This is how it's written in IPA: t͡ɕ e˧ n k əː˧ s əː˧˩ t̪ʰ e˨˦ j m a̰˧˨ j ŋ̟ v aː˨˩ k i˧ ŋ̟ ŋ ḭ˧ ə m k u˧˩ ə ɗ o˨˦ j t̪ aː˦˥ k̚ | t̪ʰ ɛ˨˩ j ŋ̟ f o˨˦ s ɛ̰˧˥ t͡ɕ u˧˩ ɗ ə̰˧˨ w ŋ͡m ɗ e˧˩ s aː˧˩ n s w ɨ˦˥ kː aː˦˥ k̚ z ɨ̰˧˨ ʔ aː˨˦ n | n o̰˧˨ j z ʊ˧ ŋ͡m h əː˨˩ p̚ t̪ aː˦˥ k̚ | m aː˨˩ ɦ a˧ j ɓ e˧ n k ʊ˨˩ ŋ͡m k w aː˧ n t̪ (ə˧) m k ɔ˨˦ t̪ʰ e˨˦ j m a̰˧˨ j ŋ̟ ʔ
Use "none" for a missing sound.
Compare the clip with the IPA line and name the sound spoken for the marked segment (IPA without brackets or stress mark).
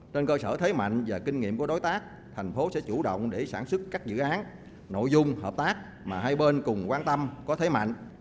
ə˧